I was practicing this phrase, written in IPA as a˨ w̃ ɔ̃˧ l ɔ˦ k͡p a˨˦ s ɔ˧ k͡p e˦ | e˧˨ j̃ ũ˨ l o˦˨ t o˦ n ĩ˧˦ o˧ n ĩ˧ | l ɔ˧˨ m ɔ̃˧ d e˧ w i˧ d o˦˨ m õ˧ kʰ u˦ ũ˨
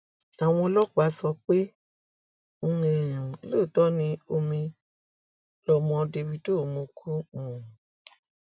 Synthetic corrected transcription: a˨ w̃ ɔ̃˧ l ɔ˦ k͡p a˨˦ s ɔ˧ k͡p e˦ | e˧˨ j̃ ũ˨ l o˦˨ t ɔ˦ n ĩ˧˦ o˧ m ĩ˧ | l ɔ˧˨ m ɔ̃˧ d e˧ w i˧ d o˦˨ m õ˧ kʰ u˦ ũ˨